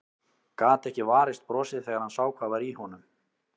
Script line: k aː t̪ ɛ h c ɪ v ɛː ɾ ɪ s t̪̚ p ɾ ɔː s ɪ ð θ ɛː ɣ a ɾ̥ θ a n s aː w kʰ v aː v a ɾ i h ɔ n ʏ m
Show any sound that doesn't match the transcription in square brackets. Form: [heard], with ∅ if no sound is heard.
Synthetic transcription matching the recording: k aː t̪ ɛ h c ɪ v [aː] ɾ ɪ s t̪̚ p ɾ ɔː s ɪ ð θ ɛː ɣ a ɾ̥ [h] a n s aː w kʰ v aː v a ɾ i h ɔ n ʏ m